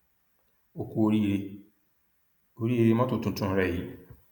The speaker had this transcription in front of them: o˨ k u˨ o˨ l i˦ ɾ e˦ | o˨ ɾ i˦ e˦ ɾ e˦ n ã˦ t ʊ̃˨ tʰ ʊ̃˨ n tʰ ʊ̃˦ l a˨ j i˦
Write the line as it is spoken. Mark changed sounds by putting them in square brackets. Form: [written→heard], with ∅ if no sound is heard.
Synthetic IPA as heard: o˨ k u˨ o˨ [l→ɾ] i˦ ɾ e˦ | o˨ ɾ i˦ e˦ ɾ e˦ [n→m] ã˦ t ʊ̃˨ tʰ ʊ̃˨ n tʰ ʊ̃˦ [l→ɾ] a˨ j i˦